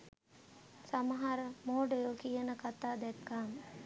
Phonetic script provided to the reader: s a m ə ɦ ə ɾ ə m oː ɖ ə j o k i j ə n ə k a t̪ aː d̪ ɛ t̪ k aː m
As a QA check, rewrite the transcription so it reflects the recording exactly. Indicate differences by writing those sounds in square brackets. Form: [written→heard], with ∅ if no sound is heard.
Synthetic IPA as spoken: s a m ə ɦ [ə→a] ɾ ə m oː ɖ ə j o k i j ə n ə k a t̪ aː d̪ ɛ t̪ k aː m